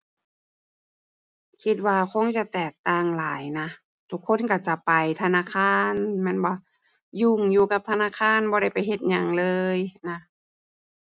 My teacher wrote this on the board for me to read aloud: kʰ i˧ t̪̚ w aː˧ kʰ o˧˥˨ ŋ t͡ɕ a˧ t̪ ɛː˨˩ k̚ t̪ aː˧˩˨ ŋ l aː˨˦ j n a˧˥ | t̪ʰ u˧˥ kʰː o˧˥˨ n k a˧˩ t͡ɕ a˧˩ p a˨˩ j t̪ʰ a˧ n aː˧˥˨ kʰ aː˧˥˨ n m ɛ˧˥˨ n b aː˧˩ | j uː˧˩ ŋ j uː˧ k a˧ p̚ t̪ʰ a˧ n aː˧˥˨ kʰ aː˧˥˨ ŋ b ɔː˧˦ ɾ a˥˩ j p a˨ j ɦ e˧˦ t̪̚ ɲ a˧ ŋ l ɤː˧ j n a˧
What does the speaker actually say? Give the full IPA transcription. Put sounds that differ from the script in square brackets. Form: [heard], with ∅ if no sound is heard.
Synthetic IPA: kʰ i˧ t̪̚ w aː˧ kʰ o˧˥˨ ŋ t͡ɕ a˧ t̪ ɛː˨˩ k̚ t̪ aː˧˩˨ ŋ l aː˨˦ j n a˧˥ | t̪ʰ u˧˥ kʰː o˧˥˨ n k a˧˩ t͡ɕ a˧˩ p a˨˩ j t̪ʰ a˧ n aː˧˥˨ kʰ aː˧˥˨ n m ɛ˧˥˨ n b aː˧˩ | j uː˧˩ ŋ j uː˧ k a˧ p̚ t̪ʰ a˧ n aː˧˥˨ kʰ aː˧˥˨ [n] b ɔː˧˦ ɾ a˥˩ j p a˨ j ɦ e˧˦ t̪̚ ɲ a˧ ŋ l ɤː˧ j n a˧